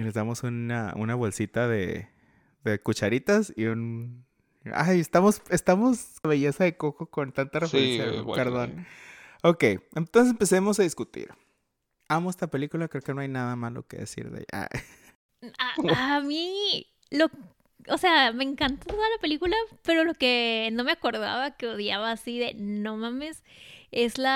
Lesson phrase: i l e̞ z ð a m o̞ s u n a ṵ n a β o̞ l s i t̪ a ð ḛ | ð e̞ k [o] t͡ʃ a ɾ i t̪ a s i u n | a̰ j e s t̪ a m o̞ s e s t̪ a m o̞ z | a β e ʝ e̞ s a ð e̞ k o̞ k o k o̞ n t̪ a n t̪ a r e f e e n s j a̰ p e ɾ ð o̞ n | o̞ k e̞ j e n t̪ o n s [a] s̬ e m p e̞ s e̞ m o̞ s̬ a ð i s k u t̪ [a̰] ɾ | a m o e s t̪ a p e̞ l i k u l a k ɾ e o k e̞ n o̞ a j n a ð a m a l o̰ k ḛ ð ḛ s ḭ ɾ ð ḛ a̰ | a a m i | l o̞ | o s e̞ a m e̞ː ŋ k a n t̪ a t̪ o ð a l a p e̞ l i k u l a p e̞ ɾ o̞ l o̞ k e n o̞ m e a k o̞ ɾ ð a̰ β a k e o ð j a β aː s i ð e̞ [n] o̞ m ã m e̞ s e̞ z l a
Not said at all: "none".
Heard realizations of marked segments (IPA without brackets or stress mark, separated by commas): u, e, ḭ, n